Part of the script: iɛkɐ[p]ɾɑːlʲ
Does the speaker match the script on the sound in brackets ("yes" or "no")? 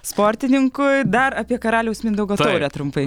no